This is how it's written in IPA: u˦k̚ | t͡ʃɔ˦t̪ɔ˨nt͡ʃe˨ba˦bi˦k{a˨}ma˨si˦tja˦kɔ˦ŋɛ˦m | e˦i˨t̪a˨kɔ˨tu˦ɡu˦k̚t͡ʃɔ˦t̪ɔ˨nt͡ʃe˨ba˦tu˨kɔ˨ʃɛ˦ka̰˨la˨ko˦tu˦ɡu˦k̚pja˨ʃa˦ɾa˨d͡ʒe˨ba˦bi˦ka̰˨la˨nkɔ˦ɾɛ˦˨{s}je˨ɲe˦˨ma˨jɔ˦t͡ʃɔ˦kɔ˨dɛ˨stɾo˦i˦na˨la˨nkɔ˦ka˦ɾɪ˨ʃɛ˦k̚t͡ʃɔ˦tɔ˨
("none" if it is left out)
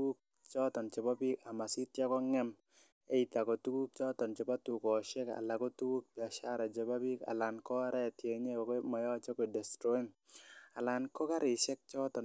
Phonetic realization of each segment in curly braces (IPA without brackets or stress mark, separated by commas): a˨, t